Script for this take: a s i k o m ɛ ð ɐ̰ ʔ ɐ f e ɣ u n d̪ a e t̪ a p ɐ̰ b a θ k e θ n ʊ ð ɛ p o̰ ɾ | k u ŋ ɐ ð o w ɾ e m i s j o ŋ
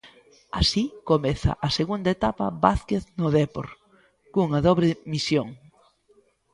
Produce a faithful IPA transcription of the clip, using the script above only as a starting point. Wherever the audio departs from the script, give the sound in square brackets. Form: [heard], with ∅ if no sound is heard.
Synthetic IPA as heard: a s i k o m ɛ [θ] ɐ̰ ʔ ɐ [s] e ɣ u n d̪ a e t̪ a p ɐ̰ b a θ k e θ n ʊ ð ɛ p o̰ ɾ | k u ŋ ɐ ð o [β] ɾ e m i s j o ŋ